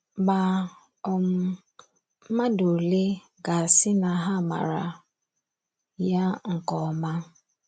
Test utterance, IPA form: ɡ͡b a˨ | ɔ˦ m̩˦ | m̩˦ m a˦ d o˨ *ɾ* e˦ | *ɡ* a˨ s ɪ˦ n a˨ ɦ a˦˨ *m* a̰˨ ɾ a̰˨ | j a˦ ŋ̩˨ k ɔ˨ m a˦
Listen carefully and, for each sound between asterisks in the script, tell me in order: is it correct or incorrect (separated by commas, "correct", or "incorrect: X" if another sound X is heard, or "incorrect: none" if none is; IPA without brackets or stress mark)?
incorrect: l, correct, correct